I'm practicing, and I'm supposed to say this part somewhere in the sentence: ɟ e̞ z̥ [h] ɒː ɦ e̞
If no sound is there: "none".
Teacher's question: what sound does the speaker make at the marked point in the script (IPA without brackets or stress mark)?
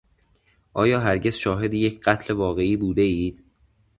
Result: ʃ